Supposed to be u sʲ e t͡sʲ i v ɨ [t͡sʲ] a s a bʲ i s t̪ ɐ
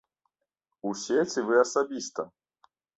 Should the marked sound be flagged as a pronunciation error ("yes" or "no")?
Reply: yes